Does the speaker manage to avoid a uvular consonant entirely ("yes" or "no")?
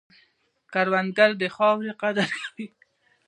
no